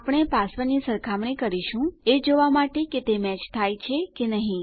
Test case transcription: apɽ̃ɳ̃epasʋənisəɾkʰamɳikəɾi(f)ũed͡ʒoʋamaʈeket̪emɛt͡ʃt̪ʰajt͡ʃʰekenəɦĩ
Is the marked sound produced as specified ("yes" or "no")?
no